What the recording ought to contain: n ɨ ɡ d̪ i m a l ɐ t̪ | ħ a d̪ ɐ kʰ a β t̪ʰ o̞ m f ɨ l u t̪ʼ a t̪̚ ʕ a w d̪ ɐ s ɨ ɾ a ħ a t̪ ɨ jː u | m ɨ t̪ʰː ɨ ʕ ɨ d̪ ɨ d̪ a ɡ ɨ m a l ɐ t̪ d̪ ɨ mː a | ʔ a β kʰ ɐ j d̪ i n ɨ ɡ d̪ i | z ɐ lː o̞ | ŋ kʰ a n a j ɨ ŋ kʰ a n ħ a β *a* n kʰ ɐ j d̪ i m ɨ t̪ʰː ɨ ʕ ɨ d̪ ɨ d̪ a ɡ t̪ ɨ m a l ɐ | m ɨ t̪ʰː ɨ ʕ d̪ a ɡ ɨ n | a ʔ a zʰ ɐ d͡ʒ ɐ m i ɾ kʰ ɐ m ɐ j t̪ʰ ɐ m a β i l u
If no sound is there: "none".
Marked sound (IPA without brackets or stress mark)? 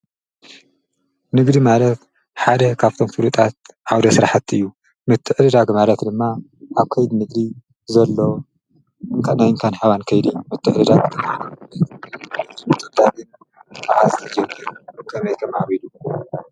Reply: a